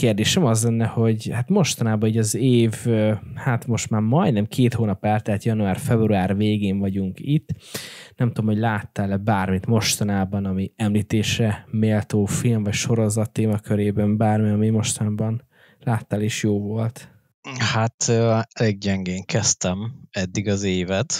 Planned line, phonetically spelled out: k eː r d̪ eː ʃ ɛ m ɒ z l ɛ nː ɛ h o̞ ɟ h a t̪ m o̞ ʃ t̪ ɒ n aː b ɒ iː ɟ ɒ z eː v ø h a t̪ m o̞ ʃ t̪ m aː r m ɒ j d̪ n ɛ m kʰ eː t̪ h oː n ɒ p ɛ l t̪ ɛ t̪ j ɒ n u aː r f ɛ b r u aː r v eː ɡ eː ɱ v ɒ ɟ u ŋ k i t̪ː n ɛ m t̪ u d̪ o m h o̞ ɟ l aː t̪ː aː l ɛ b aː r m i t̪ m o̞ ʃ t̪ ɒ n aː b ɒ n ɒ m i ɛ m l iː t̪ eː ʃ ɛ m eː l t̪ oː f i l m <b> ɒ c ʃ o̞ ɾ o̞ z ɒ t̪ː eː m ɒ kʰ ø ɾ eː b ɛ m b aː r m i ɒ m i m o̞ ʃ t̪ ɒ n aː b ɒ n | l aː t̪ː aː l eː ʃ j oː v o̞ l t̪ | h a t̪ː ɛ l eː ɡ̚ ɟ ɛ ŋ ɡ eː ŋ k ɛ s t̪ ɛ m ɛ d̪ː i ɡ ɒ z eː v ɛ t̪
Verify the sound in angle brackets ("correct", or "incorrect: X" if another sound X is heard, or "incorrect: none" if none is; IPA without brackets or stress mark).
incorrect: v